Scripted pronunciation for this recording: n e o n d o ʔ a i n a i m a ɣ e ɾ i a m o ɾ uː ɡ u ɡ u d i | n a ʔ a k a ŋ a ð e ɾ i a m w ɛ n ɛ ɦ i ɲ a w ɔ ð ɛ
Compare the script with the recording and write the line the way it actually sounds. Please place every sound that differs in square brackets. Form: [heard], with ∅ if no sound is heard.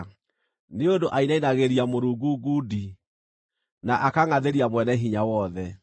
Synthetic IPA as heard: n e o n d o ʔ a i n a i [n] a ɣ e ɾ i a m o ɾ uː ɡ u ɡ u d i | n a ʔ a k a ŋ a ð e ɾ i a m w ɛ n ɛ ɦ i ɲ a w ɔ ð ɛ

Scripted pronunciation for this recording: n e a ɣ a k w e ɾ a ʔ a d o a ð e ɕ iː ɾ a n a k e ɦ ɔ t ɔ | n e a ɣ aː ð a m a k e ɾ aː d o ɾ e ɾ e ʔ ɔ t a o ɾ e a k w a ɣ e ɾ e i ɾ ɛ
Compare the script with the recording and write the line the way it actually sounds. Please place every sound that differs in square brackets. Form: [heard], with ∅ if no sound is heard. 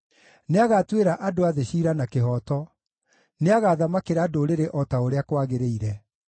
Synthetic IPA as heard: n e a ɣ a [t] w e ɾ a ʔ a d o a ð e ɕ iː ɾ a n a k e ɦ ɔ t ɔ | n e a ɣ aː ð a m a k e ɾ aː d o ɾ e ɾ e ʔ ɔ t a o ɾ e a k w a ɣ e ɾ e i ɾ ɛ

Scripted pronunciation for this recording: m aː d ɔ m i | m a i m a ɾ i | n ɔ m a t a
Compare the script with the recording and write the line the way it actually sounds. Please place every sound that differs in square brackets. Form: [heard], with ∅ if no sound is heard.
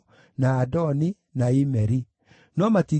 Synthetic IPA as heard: [n] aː d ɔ [n] i | [n] a i m [ɛ] ɾ i | n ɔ m a t [i]

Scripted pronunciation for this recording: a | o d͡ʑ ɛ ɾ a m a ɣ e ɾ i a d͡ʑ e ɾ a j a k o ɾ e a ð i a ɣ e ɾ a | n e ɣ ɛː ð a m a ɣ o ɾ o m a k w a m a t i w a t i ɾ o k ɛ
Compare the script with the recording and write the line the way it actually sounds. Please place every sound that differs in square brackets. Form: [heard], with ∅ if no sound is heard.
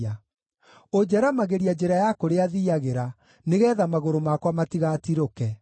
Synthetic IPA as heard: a | o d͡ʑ ɛ ɾ a m a ɣ e ɾ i a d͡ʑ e ɾ a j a k o ɾ e a ð i a ɣ e ɾ a | n e ɣ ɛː ð a m a ɣ o ɾ o m a k w a m a t i [ɣ] a t i ɾ o k ɛ

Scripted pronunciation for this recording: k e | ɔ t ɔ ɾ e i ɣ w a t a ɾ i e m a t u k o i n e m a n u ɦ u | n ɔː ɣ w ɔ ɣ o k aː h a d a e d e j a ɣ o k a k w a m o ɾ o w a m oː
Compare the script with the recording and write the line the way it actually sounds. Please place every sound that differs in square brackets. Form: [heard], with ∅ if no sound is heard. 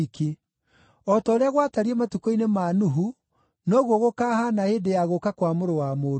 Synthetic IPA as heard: k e | ɔ t ɔ ɾ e [a] ɣ w a t a ɾ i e m a t u k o i n e m a n u ɦ u | n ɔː ɣ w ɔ ɣ o k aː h a [n] a e d e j a ɣ o k a k w a m o ɾ o w a m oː

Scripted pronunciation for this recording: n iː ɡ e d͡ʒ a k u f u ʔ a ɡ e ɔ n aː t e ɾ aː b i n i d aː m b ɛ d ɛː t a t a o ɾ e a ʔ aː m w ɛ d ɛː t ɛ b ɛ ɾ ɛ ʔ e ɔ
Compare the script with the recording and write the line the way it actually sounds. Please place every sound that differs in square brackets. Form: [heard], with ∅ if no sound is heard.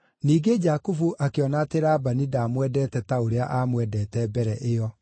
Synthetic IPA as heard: n iː ɡ e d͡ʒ a k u f u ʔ a [k] e ɔ n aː t e ɾ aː b [a] n i d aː m [w] ɛ d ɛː t [ɛ] t a o ɾ e a ʔ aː m w ɛ d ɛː t ɛ b ɛ ɾ ɛ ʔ e ɔ

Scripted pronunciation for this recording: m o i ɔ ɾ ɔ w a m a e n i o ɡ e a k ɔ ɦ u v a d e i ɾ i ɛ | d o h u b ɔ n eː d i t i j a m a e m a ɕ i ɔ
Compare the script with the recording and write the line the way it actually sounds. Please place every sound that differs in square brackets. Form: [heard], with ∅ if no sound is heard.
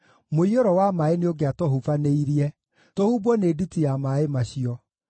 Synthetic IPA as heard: m o i [o] ɾ ɔ w a m a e n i o ɡ e a [t] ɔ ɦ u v a [n] e i ɾ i ɛ | [t] o h u b ɔ n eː d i t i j a m a e m a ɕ i ɔ

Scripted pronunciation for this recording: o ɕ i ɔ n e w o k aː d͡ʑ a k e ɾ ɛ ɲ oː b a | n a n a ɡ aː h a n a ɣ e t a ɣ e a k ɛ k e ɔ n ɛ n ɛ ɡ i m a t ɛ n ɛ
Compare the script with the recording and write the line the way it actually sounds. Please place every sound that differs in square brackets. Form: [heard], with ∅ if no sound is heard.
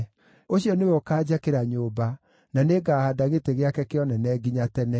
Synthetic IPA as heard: o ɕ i ɔ n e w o k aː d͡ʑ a k e ɾ [a] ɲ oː b a | n a n [e] ɡ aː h a [d] a ɣ e t [e] ɣ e a k ɛ k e ɔ n ɛ n ɛ ɡ i [ɲ] a t ɛ n ɛ

